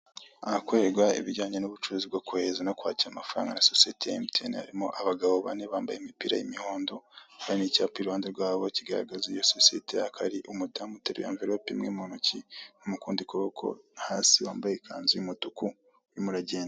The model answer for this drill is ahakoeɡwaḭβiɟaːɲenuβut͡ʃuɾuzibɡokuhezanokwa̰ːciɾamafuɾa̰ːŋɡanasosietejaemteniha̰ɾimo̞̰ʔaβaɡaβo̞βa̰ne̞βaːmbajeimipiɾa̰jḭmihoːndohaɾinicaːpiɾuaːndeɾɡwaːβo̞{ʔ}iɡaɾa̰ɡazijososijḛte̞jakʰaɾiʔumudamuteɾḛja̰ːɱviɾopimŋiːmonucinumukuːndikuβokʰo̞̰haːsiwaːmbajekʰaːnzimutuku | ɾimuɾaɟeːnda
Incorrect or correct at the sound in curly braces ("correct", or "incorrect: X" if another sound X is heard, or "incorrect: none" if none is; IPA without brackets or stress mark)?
incorrect: c